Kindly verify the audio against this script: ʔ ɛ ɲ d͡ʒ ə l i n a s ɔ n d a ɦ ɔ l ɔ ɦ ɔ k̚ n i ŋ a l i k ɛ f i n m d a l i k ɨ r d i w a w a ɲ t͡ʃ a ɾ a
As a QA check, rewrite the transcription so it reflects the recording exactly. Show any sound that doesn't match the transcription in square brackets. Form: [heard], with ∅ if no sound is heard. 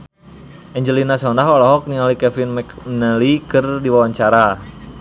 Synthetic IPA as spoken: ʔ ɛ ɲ d͡ʒ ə l i n a s ɔ n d a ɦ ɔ l ɔ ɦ ɔ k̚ n i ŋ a l i k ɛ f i n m [n] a l i k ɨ r d i w a w a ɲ t͡ʃ a ɾ a